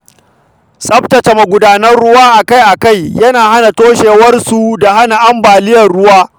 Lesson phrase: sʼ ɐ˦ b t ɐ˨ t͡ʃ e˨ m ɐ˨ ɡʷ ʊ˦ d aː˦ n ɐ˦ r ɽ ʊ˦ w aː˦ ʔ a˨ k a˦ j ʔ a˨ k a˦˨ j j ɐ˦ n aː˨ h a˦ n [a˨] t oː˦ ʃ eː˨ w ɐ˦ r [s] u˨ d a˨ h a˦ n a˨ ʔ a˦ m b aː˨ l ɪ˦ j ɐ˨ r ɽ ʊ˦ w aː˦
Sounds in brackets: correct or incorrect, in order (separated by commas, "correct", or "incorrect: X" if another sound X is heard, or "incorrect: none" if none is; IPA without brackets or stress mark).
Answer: correct, correct